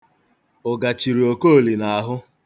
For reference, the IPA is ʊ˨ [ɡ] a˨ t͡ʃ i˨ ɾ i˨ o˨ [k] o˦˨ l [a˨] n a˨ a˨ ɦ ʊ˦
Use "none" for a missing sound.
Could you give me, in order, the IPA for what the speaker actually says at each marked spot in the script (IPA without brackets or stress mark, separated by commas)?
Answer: ɡ, k, i˨